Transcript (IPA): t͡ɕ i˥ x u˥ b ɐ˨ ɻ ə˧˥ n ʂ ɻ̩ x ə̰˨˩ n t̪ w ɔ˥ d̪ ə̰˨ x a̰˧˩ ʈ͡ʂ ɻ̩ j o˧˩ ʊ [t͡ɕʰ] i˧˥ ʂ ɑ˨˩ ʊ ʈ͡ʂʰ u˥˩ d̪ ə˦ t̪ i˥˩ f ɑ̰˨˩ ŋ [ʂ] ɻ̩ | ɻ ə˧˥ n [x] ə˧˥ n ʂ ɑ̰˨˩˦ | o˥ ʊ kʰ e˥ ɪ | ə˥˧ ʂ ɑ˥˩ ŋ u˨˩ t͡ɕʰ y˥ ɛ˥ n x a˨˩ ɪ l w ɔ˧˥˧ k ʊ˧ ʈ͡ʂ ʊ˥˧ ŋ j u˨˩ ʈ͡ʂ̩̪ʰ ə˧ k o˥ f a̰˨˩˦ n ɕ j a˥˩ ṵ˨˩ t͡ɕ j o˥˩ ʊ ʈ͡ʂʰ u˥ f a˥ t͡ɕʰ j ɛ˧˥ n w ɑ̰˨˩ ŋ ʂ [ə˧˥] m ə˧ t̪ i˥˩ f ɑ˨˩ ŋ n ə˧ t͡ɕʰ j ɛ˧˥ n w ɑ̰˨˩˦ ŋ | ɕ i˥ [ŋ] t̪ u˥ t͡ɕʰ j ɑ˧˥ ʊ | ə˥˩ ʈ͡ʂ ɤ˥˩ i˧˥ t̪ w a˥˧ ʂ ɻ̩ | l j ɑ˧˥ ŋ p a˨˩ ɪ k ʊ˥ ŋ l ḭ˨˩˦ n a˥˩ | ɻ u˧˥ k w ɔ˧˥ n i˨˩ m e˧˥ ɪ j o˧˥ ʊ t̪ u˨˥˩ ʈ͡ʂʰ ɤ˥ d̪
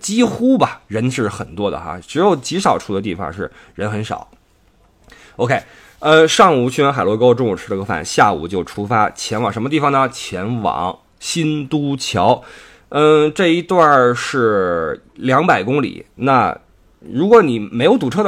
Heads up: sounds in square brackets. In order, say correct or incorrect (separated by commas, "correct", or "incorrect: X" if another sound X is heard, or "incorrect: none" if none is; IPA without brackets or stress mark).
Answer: incorrect: t͡ɕ, correct, correct, correct, incorrect: n